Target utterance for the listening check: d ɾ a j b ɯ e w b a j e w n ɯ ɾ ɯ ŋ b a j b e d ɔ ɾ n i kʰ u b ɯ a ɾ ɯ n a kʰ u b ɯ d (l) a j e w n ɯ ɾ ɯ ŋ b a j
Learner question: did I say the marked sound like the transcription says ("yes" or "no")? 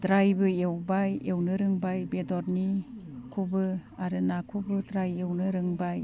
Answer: no